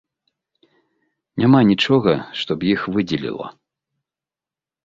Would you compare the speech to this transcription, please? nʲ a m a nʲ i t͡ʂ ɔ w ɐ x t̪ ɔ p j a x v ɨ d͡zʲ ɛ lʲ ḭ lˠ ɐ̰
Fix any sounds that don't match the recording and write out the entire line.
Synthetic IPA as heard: nʲ a m a nʲ i t͡ʂ ɔ ɣ ɐ ʂ t̪ ɔ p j i x v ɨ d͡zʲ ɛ lʲ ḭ lˠ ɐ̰

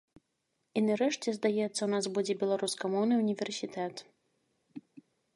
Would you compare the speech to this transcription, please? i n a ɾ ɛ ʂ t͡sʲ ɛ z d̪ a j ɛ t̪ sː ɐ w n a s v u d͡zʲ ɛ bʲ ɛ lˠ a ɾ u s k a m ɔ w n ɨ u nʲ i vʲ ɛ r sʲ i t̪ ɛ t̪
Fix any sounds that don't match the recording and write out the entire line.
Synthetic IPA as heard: i n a ɾ ɛ ʂ t͡sʲ ɛ z d̪ a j ɛ t̪ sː ɐ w n a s b u d͡zʲ ɛ bʲ ɛ lˠ a ɾ u s k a m ɔ w n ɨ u nʲ i vʲ ɛ r sʲ i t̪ ɛ t̪

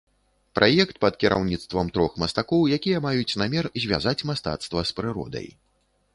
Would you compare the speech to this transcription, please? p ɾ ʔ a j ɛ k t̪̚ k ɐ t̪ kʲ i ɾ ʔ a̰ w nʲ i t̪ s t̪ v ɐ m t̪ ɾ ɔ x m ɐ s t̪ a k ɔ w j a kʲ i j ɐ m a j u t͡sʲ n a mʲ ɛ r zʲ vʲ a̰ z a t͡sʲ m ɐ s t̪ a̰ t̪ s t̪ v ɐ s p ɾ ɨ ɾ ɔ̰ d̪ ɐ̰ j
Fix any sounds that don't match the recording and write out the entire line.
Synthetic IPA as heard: p ɾ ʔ a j ɛ k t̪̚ p ɐ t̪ kʲ i ɾ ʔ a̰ w nʲ i t̪ s t̪ v ɐ m t̪ ɾ ɔ x m ɐ s t̪ a k ɔ w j a kʲ i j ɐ m a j u t͡sʲ n a mʲ ɛ r zʲ vʲ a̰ z a t͡sʲ m a s t̪ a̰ t̪ s t̪ v ɐ s p ɾ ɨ ɾ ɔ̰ d̪ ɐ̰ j

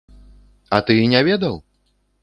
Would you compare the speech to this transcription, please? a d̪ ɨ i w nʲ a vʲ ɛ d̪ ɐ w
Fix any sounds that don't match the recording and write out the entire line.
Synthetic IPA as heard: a t̪ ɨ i nʲ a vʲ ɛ d̪ ɐ w

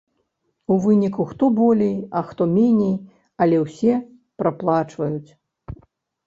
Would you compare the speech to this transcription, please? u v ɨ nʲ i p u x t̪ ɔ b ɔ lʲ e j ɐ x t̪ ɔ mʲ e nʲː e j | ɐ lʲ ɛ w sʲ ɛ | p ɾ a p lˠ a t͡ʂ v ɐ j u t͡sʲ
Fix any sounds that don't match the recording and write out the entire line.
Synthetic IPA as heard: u v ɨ nʲ i k u x t̪ ɔ b ɔ lʲ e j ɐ x t̪ ɔ mʲ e nʲ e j | ɐ lʲ ɛ w sʲ ɛ | p ɾ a p lˠ a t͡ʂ v ɐ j u t͡sʲ

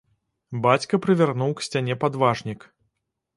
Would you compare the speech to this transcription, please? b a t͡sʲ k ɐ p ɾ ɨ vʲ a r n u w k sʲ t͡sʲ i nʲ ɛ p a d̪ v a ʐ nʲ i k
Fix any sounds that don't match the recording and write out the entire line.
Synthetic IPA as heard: b a t͡sʲ k ɐ p ɾ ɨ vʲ a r n u w k sʲ t͡sʲ a nʲ ɛ p a d̪ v a ʐ nʲ i k

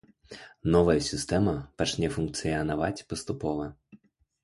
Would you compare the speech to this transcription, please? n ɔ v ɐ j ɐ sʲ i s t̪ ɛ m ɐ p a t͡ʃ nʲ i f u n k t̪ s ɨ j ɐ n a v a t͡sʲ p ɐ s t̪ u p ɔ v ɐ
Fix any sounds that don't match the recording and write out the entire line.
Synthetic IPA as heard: n ɔ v ɐ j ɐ sʲ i s t̪ ɛ m ɐ p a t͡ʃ nʲ ɛ f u n k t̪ s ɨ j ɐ n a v a t͡sʲ p ɐ s t̪ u p ɔ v ɐ

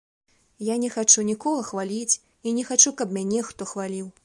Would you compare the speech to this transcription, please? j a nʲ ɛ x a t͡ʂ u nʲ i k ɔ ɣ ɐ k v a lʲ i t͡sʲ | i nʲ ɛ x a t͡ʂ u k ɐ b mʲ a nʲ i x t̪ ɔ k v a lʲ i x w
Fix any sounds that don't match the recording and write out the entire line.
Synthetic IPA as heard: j a nʲ ɛ x a t͡ʂ u nʲ i k ɔ ɣ ɐ x v a lʲ i t͡sʲ | i nʲ ɛ x a t͡ʂ u k ɐ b mʲ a nʲ ɛ x t̪ ɔ x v a lʲ i w

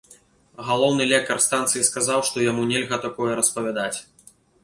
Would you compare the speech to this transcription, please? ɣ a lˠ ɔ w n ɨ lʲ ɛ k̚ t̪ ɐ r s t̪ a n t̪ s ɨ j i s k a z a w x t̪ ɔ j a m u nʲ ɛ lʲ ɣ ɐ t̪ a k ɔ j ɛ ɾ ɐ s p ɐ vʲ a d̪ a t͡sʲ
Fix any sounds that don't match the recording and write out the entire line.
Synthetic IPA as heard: ɣ a lˠ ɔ w n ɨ lʲ ɛ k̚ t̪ ɐ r s t̪ a n t̪ s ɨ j i s k a z a w ʂ t̪ ɔ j a m u nʲ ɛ lʲ ɣ ɐ t̪ a k ɔ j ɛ ɾ ɐ s p ɐ vʲ a d̪ a t͡sʲ

